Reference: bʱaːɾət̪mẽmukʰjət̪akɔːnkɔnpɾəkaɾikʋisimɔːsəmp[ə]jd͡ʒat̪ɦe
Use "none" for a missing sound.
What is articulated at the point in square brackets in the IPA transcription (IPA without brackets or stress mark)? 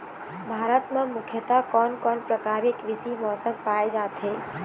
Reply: a